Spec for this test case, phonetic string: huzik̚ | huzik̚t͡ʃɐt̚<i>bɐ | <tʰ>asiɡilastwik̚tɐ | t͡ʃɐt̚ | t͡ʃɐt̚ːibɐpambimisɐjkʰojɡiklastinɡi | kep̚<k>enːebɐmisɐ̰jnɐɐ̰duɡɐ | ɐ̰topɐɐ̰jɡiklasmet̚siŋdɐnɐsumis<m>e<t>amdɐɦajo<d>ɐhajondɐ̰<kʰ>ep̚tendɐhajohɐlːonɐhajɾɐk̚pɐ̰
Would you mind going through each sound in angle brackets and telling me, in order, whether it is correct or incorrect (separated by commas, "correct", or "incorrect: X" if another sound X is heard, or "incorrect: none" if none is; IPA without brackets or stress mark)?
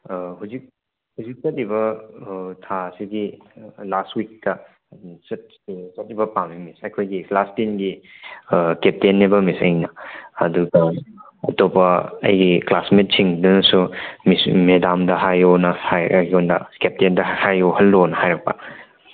correct, correct, incorrect: t, correct, incorrect: d, incorrect: n, incorrect: k